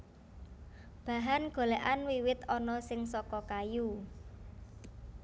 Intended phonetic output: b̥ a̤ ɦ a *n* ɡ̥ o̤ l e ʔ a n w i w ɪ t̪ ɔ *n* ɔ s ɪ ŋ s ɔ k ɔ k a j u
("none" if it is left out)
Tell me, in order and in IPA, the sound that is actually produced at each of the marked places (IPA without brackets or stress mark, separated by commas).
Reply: n, n